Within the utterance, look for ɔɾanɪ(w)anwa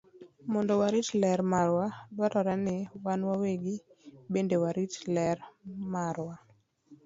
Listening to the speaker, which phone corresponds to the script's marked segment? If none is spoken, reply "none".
w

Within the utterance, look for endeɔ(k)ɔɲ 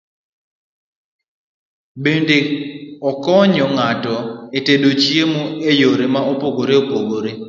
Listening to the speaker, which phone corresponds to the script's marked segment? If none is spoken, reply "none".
k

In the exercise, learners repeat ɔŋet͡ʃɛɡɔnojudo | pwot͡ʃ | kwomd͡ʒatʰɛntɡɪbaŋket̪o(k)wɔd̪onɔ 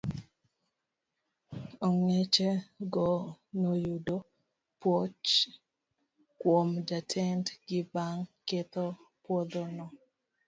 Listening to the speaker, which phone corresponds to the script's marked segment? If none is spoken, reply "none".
p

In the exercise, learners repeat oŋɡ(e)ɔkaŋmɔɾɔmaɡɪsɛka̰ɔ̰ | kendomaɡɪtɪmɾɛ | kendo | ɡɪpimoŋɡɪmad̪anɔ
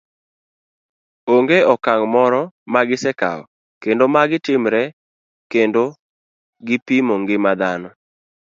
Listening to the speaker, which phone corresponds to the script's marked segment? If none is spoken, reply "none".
e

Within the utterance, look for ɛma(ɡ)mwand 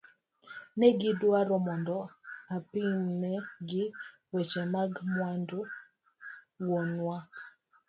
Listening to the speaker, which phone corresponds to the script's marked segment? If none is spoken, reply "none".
ɡ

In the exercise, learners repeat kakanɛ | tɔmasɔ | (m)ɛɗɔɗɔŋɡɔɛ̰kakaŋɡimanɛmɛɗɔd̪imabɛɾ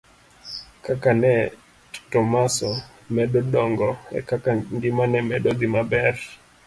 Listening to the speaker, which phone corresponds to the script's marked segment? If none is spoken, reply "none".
m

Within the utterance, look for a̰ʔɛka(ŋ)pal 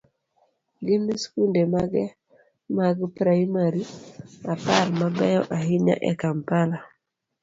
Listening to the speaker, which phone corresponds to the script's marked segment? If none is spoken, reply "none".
m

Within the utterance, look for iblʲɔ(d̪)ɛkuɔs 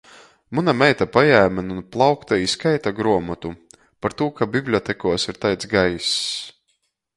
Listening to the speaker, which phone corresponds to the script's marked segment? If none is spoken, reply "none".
t̪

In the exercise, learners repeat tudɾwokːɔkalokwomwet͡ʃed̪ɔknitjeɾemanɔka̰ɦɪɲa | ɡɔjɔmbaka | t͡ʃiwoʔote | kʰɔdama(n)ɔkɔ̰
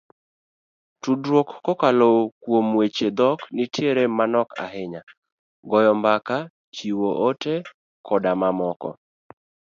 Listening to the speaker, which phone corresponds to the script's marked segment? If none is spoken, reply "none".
m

